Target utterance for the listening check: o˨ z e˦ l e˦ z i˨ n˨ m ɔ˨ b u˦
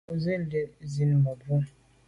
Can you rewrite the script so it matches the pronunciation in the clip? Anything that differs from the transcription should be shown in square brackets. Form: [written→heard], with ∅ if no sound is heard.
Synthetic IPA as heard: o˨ z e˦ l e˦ z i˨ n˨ m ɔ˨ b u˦